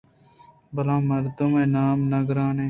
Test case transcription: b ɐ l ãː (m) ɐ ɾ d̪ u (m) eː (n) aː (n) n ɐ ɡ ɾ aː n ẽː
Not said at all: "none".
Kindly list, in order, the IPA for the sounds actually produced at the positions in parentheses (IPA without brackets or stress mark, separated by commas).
m, m, n, m